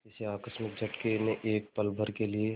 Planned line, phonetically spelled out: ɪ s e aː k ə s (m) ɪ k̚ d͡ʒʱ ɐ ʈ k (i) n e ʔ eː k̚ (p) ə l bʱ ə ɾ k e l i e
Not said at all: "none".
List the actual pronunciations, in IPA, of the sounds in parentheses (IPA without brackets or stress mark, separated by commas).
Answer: m, e, p